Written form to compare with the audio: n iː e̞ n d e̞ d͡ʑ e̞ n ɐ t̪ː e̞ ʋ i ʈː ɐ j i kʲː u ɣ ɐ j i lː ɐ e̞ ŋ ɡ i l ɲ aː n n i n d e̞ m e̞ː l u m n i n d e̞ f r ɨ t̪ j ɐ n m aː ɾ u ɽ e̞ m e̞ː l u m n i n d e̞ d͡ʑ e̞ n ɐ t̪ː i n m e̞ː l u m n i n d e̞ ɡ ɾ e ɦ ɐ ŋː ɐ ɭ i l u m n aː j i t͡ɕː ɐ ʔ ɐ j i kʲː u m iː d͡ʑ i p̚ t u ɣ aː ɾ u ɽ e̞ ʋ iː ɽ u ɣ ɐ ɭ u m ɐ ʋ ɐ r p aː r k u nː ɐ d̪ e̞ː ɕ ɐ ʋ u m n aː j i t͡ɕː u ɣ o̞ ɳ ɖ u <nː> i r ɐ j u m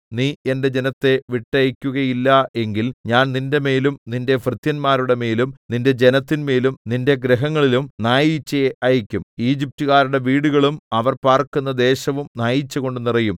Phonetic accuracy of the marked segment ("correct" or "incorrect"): incorrect